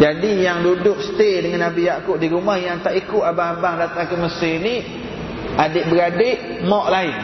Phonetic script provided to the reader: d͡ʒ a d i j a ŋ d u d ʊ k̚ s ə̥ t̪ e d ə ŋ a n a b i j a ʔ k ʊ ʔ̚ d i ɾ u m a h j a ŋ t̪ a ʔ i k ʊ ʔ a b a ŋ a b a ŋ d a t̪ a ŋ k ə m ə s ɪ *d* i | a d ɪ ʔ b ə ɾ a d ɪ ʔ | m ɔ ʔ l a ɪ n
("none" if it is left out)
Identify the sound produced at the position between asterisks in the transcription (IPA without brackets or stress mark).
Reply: n